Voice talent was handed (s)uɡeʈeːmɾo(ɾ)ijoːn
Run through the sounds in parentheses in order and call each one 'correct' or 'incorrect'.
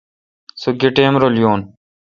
correct, incorrect

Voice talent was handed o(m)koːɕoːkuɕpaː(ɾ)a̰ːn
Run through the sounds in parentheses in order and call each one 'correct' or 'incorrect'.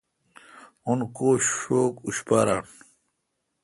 incorrect, correct

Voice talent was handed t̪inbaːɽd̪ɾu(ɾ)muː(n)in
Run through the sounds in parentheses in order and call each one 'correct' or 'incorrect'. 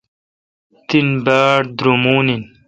incorrect, correct

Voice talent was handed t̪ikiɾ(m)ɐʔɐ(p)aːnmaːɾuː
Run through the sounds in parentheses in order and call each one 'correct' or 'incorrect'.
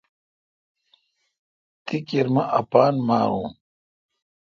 correct, correct

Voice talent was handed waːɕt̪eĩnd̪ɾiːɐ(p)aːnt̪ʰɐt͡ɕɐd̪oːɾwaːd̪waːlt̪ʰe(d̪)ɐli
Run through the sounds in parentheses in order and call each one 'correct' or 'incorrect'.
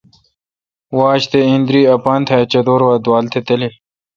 correct, incorrect

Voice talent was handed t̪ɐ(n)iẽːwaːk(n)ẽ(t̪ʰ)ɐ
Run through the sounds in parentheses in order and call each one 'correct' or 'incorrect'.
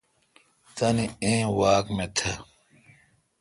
correct, incorrect, correct

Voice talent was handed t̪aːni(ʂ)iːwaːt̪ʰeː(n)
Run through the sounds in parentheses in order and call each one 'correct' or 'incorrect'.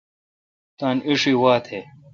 correct, incorrect

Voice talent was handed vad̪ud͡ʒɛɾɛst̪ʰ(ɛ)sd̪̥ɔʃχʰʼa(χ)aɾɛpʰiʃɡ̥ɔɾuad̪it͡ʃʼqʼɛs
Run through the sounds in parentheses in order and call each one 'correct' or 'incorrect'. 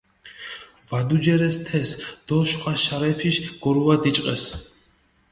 correct, incorrect

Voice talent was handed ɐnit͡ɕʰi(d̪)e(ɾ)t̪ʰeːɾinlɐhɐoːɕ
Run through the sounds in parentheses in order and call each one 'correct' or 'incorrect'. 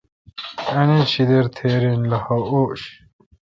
correct, correct

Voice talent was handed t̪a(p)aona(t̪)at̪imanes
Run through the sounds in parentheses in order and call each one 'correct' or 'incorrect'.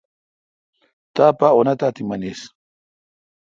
correct, correct

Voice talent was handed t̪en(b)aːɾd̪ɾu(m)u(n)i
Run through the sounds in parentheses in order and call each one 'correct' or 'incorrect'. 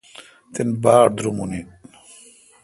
correct, correct, correct

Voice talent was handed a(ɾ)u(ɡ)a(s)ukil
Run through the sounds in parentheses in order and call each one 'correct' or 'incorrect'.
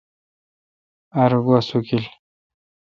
correct, correct, correct

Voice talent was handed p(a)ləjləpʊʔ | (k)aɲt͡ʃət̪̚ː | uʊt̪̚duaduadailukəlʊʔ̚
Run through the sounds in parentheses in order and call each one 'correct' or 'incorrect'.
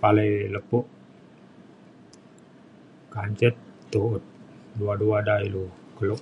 correct, correct

